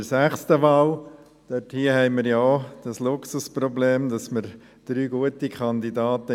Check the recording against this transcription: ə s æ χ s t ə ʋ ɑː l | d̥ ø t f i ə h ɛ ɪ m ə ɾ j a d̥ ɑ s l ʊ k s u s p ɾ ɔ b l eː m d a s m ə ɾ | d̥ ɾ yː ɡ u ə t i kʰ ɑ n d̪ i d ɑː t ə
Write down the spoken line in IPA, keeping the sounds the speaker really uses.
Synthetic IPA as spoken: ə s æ χ s t ə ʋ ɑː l | d̥ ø t h i ə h ɛ ɪ m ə ɾ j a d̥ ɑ s l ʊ k s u s p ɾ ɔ b l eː m d ɑ s m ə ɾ | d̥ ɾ yː ɡ u ə t i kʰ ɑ n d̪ i d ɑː t ə